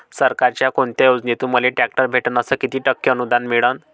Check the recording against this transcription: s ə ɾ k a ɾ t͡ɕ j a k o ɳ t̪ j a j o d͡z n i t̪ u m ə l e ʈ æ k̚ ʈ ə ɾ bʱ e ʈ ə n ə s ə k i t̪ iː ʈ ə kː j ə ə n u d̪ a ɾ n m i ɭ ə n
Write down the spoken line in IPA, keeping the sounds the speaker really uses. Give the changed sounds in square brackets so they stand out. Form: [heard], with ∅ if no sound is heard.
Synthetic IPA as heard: s ə ɾ k a ɾ t͡ɕ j a k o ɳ t̪ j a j o d͡z n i t̪ u m ə l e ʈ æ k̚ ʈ ə ɾ bʱ e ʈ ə n ə s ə k i t̪ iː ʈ ə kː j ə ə n u d̪ a [∅] n m i ɭ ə n